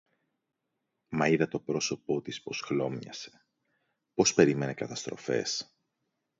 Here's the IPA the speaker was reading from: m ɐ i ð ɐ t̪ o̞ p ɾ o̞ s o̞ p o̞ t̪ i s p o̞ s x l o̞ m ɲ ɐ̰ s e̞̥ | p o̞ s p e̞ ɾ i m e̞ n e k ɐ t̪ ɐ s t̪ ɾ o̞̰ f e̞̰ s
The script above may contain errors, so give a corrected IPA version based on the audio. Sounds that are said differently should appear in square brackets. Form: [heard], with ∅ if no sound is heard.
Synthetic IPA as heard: m ɐ i ð ɐ t̪ o̞ p ɾ o̞ s o̞ p o̞ t̪ i s p o̞ s x l o̞ m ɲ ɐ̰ s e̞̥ | p o̞ s p e̞ ɾ i m e̞ n e k ɐ t̪ ɐ s t̪ ɾ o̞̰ f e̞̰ s